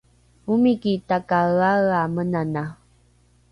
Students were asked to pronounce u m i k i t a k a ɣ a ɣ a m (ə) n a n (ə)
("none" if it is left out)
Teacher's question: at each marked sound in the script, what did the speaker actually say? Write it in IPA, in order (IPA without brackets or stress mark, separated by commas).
ə, a